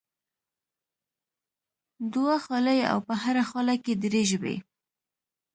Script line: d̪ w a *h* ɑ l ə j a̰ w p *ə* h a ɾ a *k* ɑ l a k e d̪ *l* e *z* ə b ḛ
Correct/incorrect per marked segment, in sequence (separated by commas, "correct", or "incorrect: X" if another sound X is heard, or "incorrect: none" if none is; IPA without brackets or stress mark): incorrect: x, correct, incorrect: x, incorrect: ɾ, incorrect: ʒ